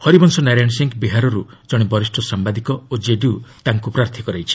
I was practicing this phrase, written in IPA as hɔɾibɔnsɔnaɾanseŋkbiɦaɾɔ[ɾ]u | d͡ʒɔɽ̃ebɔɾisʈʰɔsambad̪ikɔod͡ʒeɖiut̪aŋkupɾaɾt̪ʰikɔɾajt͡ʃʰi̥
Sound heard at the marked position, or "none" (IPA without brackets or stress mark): ɾ